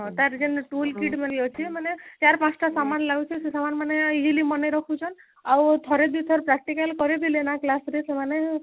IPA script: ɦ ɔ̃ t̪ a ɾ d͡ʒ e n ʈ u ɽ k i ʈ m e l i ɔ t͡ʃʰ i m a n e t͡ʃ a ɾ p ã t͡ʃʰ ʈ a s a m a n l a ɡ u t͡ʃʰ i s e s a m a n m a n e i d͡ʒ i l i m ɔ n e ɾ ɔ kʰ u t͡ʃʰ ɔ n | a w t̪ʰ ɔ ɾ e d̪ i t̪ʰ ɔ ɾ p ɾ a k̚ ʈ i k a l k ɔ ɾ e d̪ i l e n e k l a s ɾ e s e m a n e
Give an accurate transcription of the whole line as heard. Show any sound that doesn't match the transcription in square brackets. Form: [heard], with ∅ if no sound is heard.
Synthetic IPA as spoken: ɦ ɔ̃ t̪ a ɾ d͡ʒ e n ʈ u [l] k i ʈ m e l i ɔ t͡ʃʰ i m a n e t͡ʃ a ɾ p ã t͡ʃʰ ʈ a s a m a n l a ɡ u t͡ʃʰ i s e s a m a n m a n e i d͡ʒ i l i m ɔ n e ɾ ɔ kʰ u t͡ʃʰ ɔ n | a w t̪ʰ ɔ ɾ e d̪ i t̪ʰ ɔ ɾ p ɾ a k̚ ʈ i k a l k ɔ ɾ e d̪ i l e n [a] k l a s ɾ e s e m a n e